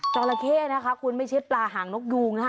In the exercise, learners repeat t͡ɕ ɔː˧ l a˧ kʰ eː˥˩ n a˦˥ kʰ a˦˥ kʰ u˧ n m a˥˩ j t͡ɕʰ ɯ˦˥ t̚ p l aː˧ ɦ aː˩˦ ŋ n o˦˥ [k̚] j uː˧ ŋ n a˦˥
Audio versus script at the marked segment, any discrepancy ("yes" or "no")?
no